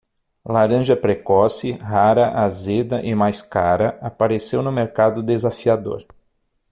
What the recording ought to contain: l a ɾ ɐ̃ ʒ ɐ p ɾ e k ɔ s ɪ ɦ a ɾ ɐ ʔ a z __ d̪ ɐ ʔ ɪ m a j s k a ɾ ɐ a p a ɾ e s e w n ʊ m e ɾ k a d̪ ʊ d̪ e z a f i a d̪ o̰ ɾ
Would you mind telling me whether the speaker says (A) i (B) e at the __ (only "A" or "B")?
B